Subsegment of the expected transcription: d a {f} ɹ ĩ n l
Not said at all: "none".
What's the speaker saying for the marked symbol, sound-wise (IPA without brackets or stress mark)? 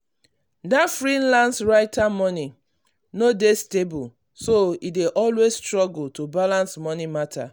f